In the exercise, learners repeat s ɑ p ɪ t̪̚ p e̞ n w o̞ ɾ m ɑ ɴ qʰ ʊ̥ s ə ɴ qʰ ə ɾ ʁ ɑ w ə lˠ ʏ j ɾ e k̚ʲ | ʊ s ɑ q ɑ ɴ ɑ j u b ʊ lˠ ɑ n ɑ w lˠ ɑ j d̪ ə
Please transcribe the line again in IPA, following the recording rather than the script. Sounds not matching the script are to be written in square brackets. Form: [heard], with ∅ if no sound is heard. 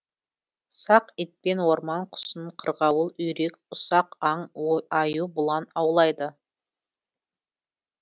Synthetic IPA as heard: s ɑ [q] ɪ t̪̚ p e̞ n w o̞ ɾ m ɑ ɴ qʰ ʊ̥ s ə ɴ qʰ ə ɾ ʁ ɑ w ə lˠ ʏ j ɾ e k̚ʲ | ʊ s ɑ q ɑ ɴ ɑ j u b ʊ lˠ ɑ n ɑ w lˠ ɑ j d̪ ə